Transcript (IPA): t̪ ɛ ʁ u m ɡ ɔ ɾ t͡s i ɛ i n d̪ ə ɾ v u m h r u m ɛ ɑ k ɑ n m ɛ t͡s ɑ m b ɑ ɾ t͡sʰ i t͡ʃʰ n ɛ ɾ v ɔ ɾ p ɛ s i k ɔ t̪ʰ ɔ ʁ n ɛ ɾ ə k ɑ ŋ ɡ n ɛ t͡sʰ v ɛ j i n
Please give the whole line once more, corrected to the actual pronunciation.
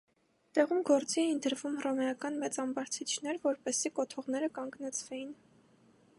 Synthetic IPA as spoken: t̪ ɛ ʁ u m ɡ ɔ ɾ t͡s i ɛ i n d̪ ə ɾ v u m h r ɔ m ɛ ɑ k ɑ n m ɛ t͡s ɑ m b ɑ ɾ t͡sʰ i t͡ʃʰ n ɛ ɾ v ɔ ɾ p ɛ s i k ɔ t̪ʰ ɔ ʁ n ɛ ɾ ə k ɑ ŋ ɡ n ɛ t͡sʰ v ɛ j i n